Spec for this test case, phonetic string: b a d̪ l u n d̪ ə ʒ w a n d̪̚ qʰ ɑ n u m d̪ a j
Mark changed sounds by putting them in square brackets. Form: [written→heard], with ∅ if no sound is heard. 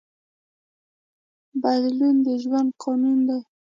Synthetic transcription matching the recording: b a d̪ l u n d̪ ə ʒ w a n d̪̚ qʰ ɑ n u [m→n] d̪ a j